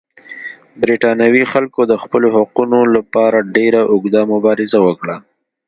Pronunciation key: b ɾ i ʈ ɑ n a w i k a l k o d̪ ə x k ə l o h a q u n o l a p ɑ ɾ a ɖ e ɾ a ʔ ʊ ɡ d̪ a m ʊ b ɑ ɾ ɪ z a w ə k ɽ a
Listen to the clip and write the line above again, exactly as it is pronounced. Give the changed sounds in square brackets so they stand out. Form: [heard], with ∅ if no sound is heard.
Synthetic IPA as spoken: b ɾ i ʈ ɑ n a w i [x] a l k o d̪ ə x [p] ə l o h a q u n o l a p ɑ ɾ a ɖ e ɾ a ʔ ʊ ɡ d̪ a m ʊ b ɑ ɾ ɪ z a w ə k ɽ a